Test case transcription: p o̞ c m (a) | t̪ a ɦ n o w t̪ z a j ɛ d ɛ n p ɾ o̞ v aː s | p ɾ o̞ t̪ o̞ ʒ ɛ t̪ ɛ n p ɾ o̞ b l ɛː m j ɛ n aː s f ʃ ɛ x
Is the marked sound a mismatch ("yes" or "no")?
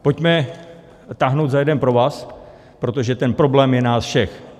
yes